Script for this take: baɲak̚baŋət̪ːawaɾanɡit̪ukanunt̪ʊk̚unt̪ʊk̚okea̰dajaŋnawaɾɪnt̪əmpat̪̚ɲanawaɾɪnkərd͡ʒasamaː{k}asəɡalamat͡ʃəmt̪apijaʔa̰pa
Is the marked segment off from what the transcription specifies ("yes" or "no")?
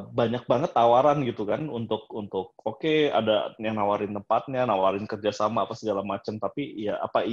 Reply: yes